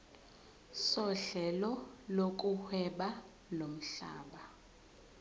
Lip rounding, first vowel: rounded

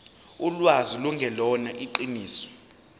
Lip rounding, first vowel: rounded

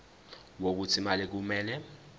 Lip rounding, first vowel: rounded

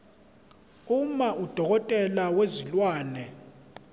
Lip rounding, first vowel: rounded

